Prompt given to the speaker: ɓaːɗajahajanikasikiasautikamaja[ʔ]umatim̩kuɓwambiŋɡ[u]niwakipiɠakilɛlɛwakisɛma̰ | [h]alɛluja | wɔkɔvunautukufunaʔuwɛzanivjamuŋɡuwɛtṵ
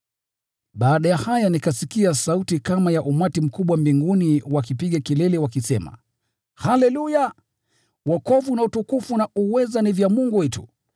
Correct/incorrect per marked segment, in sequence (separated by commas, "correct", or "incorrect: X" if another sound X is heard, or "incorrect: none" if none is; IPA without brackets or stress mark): correct, correct, correct